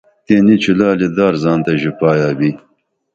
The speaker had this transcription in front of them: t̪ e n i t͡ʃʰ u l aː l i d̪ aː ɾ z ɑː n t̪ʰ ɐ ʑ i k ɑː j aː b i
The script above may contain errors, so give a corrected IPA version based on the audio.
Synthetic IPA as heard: t̪ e n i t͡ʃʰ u l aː l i d̪ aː ɾ z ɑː n t̪ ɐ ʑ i p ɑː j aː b i